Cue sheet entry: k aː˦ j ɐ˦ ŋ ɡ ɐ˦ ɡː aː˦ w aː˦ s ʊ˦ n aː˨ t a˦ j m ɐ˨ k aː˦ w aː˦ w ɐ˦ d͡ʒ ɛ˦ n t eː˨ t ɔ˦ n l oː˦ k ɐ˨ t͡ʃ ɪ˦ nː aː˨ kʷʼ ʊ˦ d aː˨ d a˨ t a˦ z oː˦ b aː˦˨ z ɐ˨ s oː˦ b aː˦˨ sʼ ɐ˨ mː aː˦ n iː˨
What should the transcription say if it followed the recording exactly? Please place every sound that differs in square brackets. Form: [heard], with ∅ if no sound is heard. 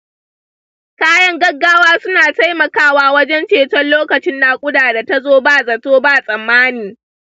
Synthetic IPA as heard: k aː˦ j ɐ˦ ŋ ɡ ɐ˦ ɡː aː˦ w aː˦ s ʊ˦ n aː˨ t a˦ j m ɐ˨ k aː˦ w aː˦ w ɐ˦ d͡ʒ ɛ˦ n [t͡ʃ] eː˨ t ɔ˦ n l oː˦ k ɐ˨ t͡ʃ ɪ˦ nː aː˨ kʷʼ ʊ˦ d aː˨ d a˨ t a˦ z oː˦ b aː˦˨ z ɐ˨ [t] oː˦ b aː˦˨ sʼ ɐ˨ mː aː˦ n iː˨